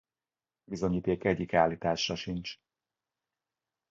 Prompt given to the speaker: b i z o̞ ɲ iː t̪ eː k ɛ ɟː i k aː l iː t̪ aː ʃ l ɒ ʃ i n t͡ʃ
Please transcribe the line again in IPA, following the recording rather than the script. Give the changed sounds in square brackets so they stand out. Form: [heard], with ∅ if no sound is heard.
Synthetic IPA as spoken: b i z o̞ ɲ iː t̪ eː k ɛ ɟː i k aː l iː t̪ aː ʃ [r] ɒ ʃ i n t͡ʃ